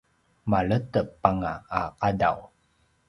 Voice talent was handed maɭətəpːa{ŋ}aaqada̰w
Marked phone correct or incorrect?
correct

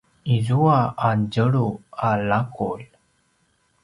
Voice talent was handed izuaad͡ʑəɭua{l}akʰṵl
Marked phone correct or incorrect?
correct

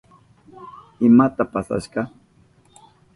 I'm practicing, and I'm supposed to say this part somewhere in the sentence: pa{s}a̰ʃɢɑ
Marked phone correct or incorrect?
correct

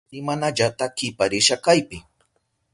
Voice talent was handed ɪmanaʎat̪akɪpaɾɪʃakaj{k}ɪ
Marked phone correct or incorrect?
incorrect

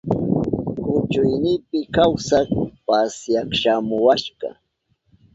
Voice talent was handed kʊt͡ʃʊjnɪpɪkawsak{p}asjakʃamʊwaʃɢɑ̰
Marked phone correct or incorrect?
correct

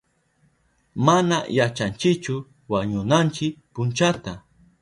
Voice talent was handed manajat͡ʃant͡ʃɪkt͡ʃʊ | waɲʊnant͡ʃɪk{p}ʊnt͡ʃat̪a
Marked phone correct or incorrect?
correct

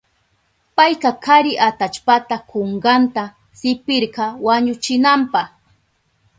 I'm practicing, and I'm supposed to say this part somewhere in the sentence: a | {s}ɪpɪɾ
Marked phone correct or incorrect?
correct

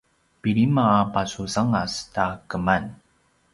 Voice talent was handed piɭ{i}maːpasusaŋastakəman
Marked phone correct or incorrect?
correct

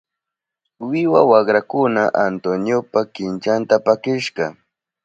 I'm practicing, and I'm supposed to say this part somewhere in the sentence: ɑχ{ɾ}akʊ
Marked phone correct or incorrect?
correct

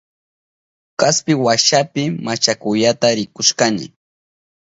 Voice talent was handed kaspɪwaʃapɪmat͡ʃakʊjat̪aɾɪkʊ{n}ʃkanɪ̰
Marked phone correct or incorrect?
incorrect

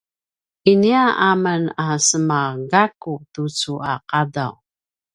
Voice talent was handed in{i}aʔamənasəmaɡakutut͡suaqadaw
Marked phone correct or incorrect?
correct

